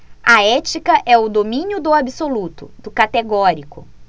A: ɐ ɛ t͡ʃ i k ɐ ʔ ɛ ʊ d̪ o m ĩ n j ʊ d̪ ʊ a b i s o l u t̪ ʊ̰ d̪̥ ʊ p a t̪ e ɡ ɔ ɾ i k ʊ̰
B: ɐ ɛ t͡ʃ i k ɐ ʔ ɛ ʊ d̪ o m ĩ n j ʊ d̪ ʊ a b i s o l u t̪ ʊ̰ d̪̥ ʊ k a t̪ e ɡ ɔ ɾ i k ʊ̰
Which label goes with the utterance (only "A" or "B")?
B